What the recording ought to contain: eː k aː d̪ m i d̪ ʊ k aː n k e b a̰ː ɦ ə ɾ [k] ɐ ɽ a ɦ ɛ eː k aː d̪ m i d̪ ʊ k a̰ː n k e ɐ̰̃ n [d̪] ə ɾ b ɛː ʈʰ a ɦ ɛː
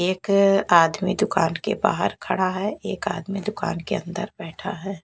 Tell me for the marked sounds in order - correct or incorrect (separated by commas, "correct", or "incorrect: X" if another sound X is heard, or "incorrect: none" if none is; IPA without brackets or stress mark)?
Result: incorrect: kʰ, correct